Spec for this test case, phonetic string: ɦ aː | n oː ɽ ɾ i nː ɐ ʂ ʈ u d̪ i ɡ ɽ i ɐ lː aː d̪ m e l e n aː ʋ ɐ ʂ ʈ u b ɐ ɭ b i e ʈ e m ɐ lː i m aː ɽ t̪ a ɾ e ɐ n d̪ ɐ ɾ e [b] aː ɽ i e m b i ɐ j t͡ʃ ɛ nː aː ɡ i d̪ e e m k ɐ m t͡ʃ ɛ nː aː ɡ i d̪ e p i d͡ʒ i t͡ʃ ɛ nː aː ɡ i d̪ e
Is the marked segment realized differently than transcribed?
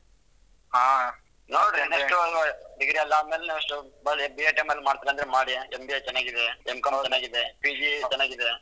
yes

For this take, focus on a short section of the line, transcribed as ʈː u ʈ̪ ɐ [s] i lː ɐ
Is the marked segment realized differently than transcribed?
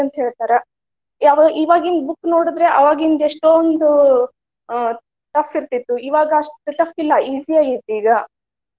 yes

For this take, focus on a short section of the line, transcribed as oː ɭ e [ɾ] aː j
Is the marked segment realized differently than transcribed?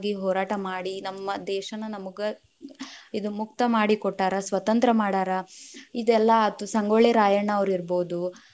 no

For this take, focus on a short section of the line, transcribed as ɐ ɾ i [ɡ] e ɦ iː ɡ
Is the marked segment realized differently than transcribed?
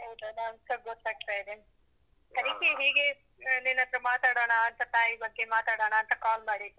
yes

